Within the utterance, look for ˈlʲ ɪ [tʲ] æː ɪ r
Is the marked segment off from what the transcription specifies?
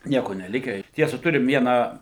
yes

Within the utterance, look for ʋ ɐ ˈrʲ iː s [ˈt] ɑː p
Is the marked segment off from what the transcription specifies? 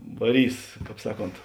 yes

